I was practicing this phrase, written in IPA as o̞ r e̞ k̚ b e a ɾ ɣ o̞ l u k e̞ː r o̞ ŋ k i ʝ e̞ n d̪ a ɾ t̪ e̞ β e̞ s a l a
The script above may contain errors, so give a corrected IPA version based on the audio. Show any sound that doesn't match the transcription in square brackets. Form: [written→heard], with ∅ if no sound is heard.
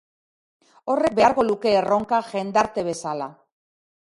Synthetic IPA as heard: o̞ r e̞ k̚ b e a ɾ ɣ o̞ l u k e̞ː r o̞ ŋ k [i→a] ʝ e̞ n d̪ a ɾ t̪ e̞ β e̞ s a l a